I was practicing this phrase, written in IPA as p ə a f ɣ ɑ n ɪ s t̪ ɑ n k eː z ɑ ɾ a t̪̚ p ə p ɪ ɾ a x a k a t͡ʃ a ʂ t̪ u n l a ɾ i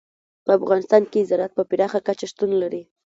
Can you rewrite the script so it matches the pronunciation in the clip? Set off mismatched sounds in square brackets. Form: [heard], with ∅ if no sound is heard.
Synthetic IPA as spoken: p ə a f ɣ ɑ n ɪ s t̪ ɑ n k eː z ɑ ɾ a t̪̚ p ə p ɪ ɾ [ɑ] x a k a t͡ʃ a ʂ t̪ u n l a ɾ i